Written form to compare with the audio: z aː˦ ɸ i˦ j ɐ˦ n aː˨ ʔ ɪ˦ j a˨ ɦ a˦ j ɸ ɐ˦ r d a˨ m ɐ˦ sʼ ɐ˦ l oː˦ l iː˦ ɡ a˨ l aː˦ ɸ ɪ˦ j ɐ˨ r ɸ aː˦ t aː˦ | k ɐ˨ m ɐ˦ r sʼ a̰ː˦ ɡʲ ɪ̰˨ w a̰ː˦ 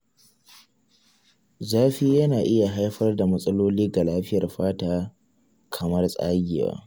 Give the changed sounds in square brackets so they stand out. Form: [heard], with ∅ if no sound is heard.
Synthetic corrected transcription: z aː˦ ɸ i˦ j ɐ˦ n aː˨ ʔ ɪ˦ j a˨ ɦ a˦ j ɸ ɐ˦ r d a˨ m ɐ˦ sʼ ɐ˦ l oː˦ l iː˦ ɡ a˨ l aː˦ ɸ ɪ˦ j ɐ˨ r ɸ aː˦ t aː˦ | [kʰ] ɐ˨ m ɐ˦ r sʼ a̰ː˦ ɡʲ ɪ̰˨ w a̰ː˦

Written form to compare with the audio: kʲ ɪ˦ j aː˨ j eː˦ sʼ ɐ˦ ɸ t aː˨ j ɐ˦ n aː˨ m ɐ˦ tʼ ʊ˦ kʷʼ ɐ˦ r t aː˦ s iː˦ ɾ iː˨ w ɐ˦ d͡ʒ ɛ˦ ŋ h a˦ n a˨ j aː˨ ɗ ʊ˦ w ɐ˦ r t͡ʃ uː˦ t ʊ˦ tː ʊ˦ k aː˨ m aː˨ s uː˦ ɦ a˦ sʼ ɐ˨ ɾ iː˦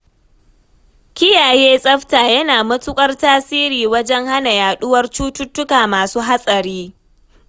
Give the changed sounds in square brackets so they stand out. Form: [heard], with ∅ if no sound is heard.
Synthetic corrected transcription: kʲ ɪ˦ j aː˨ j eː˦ sʼ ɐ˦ ɸ t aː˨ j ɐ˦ n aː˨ m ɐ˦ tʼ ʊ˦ kʷʼ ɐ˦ r t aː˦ s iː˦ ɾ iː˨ w ɐ˦ d͡ʒ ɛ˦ ŋ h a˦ n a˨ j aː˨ ɗ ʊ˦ w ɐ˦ r t͡ʃ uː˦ t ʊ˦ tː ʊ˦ k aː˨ m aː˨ s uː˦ ɦ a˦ sʼ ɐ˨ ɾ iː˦

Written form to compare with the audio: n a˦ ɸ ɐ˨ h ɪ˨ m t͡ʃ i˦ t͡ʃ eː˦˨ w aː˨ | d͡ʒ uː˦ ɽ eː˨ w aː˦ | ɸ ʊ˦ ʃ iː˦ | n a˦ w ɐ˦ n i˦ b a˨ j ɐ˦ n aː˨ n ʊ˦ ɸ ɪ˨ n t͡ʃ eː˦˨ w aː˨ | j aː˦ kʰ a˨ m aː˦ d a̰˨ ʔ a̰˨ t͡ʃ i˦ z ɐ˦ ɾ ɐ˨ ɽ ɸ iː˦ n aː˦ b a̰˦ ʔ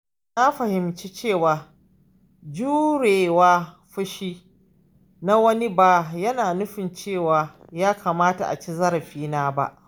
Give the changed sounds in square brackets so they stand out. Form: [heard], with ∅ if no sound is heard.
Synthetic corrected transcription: n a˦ ɸ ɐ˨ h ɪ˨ m t͡ʃ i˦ t͡ʃ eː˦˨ w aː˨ | d͡ʒ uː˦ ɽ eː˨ w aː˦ | ɸ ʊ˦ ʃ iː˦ | n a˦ w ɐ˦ n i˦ b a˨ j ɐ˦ n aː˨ n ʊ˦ ɸ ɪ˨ n t͡ʃ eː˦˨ w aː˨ | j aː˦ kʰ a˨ m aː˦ [t] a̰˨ ʔ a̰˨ t͡ʃ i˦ z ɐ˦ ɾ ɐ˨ [∅] ɸ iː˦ n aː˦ b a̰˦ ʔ

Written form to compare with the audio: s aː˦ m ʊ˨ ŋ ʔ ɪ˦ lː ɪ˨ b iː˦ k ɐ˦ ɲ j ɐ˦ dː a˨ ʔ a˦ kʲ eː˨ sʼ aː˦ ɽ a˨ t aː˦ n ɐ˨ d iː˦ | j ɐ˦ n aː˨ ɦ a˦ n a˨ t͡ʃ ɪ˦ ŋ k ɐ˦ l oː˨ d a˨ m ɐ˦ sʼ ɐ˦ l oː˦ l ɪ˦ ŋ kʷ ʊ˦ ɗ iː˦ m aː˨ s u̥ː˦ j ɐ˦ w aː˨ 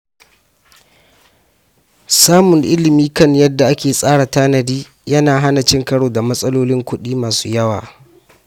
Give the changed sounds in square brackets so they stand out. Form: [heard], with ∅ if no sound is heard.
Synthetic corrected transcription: s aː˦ m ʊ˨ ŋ ʔ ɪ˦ [l] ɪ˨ [m] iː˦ k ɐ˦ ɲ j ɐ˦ dː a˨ ʔ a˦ kʲ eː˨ sʼ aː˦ ɽ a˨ t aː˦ n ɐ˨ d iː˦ | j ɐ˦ n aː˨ ɦ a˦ n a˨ t͡ʃ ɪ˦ ŋ k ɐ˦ [ɽ] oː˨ d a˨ m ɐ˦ sʼ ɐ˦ l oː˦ l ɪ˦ ŋ kʷ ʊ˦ ɗ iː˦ m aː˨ s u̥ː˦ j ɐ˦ w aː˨

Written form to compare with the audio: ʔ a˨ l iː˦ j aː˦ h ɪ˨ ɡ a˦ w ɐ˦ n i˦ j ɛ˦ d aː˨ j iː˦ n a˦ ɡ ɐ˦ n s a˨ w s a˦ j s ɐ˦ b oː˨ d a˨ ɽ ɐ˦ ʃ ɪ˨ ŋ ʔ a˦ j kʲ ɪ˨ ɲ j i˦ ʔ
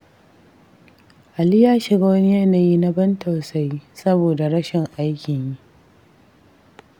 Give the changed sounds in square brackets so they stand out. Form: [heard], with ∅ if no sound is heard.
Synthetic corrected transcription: ʔ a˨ l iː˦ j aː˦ [ʃ] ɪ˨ ɡ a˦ w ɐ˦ n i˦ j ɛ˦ [n] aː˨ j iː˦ n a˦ [b] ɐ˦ n [t] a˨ w s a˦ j s ɐ˦ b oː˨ d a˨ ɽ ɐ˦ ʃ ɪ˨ ŋ ʔ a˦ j kʲ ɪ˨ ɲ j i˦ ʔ

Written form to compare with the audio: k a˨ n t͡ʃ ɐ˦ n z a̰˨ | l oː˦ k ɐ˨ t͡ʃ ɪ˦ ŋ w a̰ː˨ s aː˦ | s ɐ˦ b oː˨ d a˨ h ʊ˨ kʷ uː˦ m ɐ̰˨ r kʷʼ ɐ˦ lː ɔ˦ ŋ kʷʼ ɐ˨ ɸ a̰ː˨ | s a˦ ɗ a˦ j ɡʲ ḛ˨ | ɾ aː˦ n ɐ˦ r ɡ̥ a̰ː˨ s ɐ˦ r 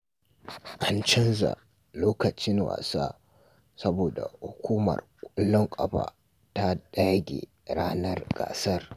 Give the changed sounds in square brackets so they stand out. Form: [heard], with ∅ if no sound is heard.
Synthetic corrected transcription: [ʔ] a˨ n t͡ʃ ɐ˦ n z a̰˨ | l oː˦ k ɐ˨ t͡ʃ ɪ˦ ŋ w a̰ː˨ s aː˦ | s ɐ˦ b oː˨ d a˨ h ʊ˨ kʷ uː˦ m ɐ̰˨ r kʷʼ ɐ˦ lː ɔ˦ ŋ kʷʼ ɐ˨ ɸ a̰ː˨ | [t] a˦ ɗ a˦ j ɡʲ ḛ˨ | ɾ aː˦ n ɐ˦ r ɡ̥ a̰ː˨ s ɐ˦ r

